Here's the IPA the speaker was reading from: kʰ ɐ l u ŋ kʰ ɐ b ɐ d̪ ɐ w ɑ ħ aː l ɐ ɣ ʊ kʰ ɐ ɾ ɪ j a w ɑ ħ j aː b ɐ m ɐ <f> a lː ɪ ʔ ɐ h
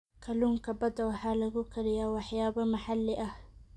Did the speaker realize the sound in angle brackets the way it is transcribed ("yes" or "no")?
no